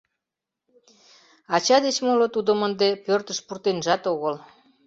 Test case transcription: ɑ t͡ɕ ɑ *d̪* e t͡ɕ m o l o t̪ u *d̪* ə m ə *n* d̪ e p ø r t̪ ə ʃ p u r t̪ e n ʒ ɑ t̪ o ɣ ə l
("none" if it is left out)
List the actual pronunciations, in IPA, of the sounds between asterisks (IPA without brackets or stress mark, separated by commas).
d̪, d̪, n